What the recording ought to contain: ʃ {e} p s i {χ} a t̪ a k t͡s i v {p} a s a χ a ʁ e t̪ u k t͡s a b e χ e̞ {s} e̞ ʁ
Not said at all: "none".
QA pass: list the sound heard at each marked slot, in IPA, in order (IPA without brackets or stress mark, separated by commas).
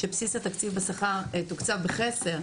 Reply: e, s, b, s